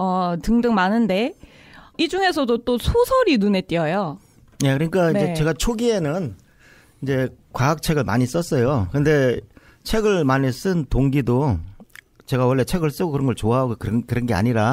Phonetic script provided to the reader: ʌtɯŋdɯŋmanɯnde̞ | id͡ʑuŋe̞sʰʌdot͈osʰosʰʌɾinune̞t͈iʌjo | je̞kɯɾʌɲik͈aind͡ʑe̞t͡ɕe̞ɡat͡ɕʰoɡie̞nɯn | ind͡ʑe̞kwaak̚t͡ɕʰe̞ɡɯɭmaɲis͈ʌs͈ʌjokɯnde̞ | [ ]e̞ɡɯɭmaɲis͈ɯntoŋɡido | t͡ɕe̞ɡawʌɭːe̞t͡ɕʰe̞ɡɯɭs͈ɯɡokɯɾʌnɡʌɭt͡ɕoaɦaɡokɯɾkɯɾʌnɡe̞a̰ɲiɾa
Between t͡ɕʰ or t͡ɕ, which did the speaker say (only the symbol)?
t͡ɕʰ